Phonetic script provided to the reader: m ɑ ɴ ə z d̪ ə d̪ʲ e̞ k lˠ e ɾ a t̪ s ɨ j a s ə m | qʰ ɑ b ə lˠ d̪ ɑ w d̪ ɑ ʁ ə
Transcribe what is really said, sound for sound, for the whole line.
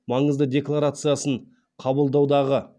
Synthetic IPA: m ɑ ɴ ə z d̪ ə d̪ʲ e̞ k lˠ a ɾ a t̪ s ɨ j a s ə ɴ | qʰ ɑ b ə lˠ d̪ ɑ w d̪ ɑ ʁ ə

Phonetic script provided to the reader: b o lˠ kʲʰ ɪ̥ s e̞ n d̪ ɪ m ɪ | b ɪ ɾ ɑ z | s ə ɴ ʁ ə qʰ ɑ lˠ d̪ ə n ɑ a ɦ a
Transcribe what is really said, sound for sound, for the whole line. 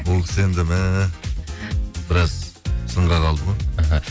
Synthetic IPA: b o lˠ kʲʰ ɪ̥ s e̞ n d̪ ɪ m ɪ | b ɪ ɾ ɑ z | s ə ɴ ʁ ɑ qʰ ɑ lˠ d̪ ə m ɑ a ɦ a

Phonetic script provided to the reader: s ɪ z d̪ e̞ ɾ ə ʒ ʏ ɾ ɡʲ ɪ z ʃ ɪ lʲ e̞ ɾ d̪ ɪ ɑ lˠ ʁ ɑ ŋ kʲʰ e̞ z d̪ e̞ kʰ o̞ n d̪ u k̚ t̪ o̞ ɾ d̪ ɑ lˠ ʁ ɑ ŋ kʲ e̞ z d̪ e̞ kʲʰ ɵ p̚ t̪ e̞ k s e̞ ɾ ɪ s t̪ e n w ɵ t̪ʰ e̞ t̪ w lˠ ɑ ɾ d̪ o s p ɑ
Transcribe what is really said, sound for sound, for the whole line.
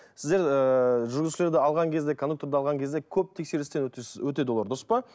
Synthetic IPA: s ɪ z d̪ e̞ ɾ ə ʒ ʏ ɾ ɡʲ ɪ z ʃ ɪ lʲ e̞ ɾ d̪ ɪ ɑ lˠ ʁ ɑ ŋ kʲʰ e̞ z d̪ e̞ kʰ o̞ n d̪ u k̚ t̪ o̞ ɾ d̪ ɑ lˠ ʁ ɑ ŋ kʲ e̞ z d̪ e̞ kʲʰ ɵ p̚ t̪ʰ e̞ k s e̞ ɾ ɪ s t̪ e n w ɵ t̪ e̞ d̪ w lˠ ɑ ɾ d̪ o s p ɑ

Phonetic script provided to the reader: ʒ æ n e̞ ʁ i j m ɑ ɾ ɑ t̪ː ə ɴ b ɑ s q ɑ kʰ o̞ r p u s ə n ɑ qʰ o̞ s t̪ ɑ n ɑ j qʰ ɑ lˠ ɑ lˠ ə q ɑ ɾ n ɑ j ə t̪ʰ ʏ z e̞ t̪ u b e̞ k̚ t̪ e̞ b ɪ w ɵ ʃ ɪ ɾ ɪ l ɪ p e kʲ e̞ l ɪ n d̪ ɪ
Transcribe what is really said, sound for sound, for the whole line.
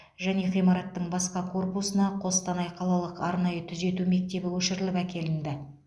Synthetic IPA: ʒ æ n e̞ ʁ i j m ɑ ɾ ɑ t̪ː ə ɴ b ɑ s q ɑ kʰ o̞ r p u s ə n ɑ qʰ o̞ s t̪ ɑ n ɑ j qʰ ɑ lˠ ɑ lˠ ə q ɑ ɾ n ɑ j ə t̪ʰ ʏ z e̞ t̪ u m e̞ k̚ t̪ e̞ b ɪ w ɵ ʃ ɪ ɾ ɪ l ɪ p æ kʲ e̞ l ɪ n d̪ ɪ

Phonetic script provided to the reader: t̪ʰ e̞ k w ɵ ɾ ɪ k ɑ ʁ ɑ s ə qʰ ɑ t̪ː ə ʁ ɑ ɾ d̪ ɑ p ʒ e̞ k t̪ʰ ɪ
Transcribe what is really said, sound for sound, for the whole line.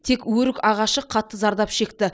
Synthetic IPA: t̪ʰ e̞ k w ɵ ɾ ɪ k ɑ ʁ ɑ ʃ ə qʰ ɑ t̪ː ə z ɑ ɾ d̪ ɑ p ʃ e̞ k t̪ ɪ

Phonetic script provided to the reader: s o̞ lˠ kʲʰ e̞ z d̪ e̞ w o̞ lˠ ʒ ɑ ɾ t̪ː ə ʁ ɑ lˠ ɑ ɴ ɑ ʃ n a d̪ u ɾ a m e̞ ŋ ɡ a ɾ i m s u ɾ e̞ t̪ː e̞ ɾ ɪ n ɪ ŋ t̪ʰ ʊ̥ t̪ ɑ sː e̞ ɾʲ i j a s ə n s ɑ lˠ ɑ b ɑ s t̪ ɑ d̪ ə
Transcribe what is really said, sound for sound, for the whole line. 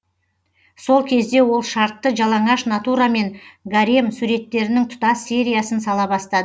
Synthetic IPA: s o̞ lˠ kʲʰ e̞ z d̪ e̞ w o̞ lˠ ʃ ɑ ɾ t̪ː ə ʒ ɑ lˠ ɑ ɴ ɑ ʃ n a t̪ u ɾ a m e̞ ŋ ɡ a ɾ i m s u ɾ e̞ t̪ː e̞ ɾ ɪ n ɪ ŋ t̪ʰ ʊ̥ t̪ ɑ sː e̞ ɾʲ i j a s ə n s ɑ lˠ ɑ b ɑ s t̪ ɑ d̪ ə

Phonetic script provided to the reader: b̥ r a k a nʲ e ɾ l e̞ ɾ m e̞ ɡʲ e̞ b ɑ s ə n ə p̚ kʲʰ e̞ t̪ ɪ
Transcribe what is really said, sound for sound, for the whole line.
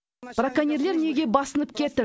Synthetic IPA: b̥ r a k a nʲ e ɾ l e̞ ɾ n e̞ ɡʲ e̞ b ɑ s ə n ə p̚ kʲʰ e̞ t̪ ɪ

